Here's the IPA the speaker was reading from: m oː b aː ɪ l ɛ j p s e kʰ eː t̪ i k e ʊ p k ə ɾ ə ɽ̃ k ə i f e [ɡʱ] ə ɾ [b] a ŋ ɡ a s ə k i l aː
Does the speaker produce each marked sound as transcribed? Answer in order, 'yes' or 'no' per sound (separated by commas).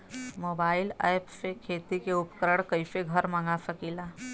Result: yes, no